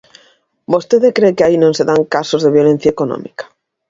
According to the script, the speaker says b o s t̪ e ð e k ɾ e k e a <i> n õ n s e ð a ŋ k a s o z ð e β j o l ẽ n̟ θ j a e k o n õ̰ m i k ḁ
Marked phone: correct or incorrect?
correct